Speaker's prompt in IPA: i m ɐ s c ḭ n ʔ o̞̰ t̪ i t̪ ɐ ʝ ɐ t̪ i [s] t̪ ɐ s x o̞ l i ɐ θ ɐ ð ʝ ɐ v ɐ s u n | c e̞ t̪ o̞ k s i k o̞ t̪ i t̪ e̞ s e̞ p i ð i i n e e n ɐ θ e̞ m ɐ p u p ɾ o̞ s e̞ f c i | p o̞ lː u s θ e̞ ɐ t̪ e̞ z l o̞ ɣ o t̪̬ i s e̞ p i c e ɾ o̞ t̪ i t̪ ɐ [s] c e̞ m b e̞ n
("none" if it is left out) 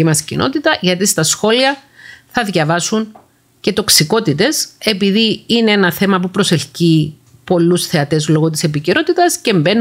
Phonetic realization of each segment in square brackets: s, s

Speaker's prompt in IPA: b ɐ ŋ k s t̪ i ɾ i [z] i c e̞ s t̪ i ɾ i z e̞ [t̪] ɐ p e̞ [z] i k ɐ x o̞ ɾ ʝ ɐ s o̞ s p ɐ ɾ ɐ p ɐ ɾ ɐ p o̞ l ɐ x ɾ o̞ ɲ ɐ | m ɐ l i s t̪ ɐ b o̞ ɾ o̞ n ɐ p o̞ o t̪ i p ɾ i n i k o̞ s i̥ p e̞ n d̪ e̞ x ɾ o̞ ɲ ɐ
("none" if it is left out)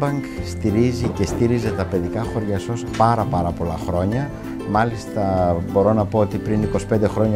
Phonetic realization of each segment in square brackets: z, t̪, ð

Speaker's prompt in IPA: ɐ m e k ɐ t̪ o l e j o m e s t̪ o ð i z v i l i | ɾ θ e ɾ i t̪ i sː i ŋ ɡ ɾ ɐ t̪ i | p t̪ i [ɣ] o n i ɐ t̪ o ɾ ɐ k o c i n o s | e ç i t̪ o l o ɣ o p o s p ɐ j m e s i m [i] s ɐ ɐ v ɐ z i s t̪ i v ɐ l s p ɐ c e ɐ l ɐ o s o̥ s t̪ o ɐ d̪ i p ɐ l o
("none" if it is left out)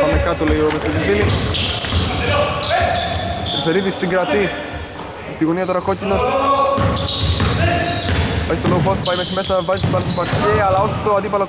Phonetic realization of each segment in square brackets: ɣ, e

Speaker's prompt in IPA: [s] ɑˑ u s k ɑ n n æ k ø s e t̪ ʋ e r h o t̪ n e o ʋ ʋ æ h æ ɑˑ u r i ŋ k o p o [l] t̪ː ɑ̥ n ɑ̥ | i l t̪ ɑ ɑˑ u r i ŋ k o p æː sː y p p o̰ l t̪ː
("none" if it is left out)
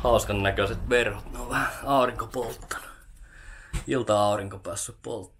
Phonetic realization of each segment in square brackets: h, l

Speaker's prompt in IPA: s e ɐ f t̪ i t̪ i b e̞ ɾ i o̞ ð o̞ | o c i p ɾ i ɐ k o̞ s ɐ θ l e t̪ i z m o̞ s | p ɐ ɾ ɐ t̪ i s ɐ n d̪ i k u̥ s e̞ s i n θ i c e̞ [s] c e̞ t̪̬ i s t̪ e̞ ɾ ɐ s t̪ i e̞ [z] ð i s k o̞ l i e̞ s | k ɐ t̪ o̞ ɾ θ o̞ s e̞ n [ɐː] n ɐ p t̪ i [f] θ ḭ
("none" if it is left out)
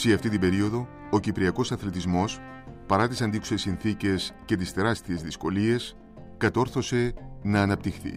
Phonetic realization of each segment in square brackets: s, z, ɐː, x

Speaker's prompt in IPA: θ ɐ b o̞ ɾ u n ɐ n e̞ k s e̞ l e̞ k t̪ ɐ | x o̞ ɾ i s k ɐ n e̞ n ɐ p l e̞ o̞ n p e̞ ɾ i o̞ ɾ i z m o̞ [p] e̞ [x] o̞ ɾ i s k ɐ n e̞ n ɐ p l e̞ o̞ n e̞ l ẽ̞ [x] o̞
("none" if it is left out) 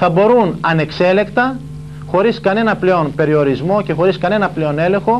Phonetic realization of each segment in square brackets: c, x, x

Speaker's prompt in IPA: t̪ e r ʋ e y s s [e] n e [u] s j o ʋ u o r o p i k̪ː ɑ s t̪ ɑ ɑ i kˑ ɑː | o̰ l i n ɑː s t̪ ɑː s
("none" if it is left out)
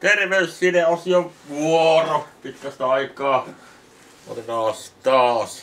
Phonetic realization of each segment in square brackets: i, o

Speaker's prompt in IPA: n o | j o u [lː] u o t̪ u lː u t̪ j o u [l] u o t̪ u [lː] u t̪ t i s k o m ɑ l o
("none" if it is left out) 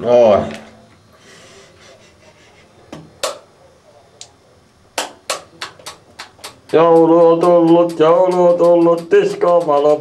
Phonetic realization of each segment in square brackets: l, l, lː

